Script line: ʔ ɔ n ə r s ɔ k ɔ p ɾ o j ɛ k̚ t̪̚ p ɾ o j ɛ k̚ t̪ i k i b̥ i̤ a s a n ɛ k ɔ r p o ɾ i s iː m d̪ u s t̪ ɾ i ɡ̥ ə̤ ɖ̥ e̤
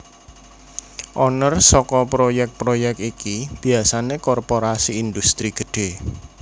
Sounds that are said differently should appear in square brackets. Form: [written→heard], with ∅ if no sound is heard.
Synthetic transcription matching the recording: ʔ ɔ n ə r s ɔ k ɔ p ɾ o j ɛ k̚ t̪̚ p ɾ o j ɛ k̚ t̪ i k i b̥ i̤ a s a n [ɛ→e] k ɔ r p o ɾ [i→a] s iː [m→n] d̪ u s t̪ ɾ i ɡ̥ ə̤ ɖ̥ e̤

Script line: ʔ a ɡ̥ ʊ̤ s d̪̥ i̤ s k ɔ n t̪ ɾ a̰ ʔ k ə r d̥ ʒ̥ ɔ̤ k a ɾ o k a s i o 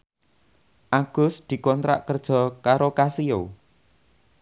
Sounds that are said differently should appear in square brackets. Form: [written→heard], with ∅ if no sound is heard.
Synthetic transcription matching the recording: ʔ a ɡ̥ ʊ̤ s d̪̥ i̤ [s→∅] k ɔ n t̪ ɾ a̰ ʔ k ə r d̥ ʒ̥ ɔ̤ k a ɾ o k a s i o

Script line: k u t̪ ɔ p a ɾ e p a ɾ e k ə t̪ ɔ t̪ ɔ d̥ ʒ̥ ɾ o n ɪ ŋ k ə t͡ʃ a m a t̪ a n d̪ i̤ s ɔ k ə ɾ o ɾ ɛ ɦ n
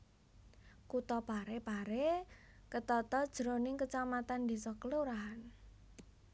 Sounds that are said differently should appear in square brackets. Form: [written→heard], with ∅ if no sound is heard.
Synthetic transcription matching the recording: k u t̪ ɔ p a ɾ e p a ɾ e k ə t̪ ɔ t̪ ɔ d̥ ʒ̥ ɾ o n ɪ ŋ k ə t͡ʃ a m a t̪ a n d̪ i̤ s ɔ k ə [ɾ→l] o ɾ [ɛ→a] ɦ n

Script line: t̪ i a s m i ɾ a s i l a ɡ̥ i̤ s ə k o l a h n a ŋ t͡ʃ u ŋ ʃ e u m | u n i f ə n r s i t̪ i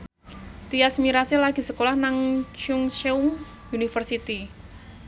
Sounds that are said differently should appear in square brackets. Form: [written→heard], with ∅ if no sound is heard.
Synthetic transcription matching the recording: t̪ i a s m i ɾ a s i l a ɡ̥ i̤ s ə k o l a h n a ŋ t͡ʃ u ŋ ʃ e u m | u n i f ə [n→∅] r s i t̪ i

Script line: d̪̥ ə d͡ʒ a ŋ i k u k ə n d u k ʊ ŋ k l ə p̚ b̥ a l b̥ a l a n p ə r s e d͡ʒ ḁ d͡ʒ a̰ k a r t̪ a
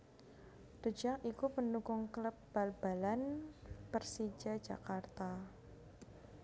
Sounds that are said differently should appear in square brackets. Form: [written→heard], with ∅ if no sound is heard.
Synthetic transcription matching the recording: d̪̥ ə d͡ʒ a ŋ i k u [k→p] ə n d u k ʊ ŋ k l ə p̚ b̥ a l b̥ a l a n p ə r s [e→i] d͡ʒ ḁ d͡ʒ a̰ k a r t̪ a

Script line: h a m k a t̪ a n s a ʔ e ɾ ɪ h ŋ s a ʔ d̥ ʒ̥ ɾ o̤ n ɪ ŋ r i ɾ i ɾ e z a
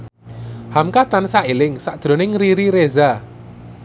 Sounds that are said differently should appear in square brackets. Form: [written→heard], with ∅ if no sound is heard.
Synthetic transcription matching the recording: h a m k a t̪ a n s a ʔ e [ɾ→l] ɪ [h→∅] ŋ s a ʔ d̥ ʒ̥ ɾ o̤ n ɪ ŋ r i ɾ i ɾ e z a

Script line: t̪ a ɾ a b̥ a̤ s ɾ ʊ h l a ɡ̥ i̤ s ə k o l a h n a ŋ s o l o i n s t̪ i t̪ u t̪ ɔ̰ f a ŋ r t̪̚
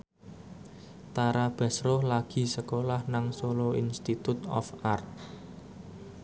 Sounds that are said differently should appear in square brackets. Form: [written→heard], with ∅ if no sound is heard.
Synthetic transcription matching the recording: t̪ a ɾ a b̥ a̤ s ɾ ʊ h l a ɡ̥ i̤ s ə k o l a h n a ŋ s o l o i n s t̪ i t̪ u t̪ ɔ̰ f a [ŋ→∅] r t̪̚

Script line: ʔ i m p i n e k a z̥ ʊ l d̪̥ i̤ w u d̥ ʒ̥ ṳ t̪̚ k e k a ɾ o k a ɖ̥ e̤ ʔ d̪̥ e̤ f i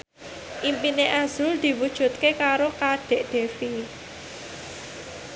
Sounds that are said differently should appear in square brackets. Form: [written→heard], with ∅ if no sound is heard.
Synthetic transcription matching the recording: ʔ i m p i n e [k→ʔ] a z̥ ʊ l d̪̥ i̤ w u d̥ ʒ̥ ṳ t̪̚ k e k a ɾ o k a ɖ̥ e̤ ʔ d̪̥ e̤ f i

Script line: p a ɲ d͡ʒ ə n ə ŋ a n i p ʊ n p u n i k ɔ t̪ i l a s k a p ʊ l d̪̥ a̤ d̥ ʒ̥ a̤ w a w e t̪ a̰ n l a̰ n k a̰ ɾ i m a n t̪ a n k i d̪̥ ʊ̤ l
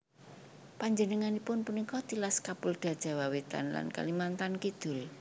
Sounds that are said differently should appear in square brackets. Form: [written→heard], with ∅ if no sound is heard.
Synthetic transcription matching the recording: p a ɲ d͡ʒ ə n ə ŋ a n i p ʊ n p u n i k ɔ t̪ i l a s k a p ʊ l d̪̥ a̤ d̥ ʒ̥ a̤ w a w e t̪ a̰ n l a̰ n k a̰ [ɾ→l] i m a n t̪ a n k i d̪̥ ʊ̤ l

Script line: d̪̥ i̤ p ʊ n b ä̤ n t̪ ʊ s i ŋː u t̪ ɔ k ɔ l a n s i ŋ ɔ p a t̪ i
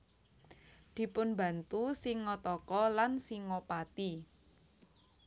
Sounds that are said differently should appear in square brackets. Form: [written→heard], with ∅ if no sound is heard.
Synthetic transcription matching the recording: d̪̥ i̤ p ʊ n b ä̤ n t̪ [ʊ→u] s i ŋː [u→ɔ] t̪ ɔ k ɔ l a n s i ŋ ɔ p a t̪ i

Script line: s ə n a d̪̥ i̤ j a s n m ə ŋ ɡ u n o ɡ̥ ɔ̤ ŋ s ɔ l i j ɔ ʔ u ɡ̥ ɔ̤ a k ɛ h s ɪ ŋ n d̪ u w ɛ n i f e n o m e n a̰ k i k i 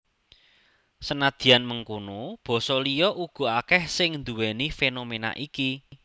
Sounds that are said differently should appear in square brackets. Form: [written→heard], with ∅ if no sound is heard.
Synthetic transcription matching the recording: s ə n a d̪̥ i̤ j a [s→∅] n m ə ŋ [ɡ→k] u n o [ɡ̥→b̥] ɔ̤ [ŋ→∅] s ɔ l i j ɔ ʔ u ɡ̥ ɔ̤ a k ɛ h s ɪ ŋ n d̪ u w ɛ n i f e n o m e n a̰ [k→ʔ] i k i

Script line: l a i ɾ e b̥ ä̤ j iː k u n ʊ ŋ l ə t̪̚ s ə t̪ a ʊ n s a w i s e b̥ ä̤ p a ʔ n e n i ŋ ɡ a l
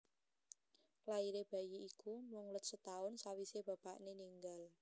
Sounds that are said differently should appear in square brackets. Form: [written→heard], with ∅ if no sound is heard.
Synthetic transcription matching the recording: l a i ɾ e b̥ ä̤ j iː k u [n→m] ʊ ŋ l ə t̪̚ s ə t̪ a ʊ n s a w i s e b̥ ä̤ p a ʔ n e n i ŋ ɡ a l

